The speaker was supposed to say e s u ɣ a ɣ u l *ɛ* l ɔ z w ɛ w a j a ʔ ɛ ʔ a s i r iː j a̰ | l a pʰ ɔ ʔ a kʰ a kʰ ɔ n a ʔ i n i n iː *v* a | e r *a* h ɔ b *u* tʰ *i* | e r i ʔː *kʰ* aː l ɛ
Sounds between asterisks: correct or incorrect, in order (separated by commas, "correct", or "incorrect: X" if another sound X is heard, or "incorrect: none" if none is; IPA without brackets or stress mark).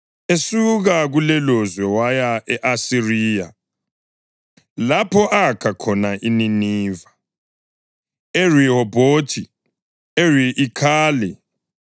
correct, correct, incorrect: i, incorrect: o, correct, correct